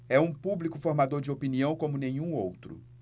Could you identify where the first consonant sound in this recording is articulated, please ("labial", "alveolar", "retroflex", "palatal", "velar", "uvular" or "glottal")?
labial